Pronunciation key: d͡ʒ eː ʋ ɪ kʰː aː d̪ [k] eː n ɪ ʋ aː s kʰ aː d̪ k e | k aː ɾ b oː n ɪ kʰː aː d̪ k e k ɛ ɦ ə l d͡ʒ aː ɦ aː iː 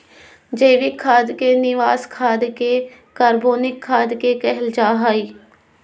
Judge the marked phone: correct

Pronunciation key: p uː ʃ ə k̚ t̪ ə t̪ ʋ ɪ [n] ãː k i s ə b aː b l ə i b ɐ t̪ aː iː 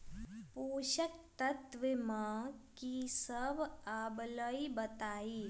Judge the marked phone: incorrect: m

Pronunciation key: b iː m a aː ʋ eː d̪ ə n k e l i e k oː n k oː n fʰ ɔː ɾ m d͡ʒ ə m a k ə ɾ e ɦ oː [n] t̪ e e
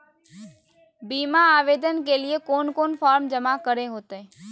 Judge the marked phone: incorrect: none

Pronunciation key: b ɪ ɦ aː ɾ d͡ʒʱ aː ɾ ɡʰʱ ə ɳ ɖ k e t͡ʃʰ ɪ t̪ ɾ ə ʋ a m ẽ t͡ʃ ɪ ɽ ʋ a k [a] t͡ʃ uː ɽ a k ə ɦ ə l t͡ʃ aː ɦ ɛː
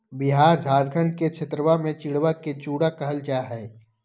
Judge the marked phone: incorrect: e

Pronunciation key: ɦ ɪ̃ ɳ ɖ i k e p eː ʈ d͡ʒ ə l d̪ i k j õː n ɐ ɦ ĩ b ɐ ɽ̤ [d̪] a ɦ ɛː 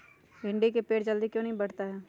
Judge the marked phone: incorrect: t̪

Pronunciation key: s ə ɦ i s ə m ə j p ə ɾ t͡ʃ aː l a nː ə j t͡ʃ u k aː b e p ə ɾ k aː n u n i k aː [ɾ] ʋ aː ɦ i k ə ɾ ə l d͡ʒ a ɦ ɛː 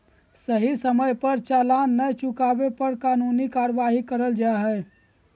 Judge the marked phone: correct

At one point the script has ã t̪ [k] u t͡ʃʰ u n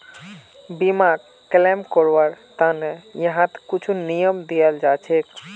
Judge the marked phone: correct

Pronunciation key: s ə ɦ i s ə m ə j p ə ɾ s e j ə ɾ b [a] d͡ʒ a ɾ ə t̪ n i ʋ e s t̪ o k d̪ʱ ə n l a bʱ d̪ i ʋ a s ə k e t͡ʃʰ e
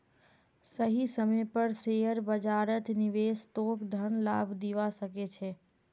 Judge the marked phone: incorrect: ə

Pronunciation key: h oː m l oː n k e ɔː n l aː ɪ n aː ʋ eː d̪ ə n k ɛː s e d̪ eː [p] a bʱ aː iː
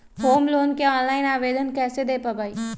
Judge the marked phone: correct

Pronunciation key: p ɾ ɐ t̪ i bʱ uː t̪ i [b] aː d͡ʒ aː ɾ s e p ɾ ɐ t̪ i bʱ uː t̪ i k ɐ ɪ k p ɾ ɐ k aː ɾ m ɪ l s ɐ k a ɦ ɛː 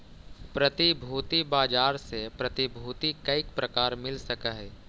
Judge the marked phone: correct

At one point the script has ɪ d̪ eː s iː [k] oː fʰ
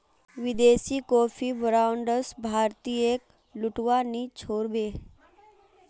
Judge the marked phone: correct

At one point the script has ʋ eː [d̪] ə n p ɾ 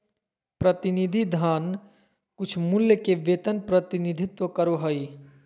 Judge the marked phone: incorrect: t̪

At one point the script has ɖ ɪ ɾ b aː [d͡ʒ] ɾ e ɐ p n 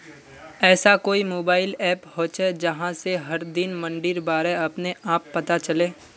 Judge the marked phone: incorrect: none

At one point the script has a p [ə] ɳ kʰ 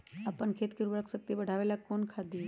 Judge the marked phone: correct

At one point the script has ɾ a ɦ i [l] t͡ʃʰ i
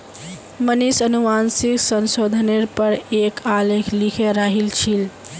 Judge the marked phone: correct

